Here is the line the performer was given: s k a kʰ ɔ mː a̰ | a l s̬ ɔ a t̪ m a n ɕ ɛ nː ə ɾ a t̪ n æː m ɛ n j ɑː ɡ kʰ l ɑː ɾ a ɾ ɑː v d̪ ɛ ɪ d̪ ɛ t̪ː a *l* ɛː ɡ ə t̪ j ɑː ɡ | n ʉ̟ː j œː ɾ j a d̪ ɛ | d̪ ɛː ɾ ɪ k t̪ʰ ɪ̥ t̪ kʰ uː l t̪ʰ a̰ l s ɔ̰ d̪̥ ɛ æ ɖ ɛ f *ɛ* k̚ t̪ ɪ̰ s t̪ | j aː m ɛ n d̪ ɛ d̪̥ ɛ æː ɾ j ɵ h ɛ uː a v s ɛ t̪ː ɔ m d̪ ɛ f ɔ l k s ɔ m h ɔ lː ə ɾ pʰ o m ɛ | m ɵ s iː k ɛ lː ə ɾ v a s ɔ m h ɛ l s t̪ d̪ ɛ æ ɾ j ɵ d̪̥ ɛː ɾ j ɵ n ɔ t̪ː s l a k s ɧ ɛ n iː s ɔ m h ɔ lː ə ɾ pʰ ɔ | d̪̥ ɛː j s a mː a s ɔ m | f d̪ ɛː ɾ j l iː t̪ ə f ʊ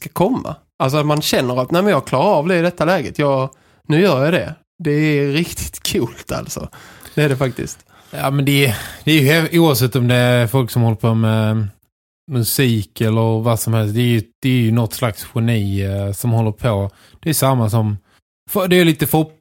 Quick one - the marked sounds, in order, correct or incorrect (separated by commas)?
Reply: correct, incorrect